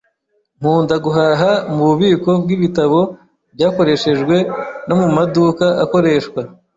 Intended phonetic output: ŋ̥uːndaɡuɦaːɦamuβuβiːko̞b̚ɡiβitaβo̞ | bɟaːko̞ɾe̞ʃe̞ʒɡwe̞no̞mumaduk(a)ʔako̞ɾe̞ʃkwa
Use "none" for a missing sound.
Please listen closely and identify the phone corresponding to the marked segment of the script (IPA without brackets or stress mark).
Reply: a